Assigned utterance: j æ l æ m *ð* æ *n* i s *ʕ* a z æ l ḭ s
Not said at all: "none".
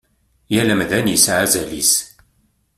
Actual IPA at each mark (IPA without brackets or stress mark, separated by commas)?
ð, n, ʕ